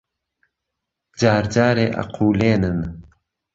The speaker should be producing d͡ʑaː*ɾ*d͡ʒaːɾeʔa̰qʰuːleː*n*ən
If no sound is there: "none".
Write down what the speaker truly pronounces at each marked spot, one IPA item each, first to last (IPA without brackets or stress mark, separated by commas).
ɾ, n